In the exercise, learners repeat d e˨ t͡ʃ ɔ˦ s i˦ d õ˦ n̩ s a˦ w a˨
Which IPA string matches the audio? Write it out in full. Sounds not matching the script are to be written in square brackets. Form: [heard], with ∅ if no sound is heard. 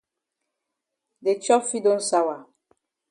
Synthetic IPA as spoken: d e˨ t͡ʃ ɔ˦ [f] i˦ d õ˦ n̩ s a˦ w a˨